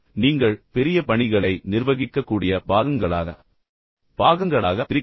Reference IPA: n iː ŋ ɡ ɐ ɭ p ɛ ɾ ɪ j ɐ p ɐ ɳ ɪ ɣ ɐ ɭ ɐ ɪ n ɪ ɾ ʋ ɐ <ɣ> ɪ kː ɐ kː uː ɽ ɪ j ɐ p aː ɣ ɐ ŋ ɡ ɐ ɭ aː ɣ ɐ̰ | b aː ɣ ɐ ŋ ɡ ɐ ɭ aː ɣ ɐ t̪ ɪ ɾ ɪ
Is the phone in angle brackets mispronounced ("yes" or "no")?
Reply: no